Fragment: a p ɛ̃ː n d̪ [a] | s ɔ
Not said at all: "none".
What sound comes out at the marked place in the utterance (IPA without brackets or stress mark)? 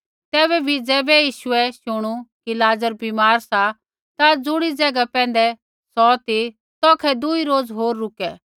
ɛ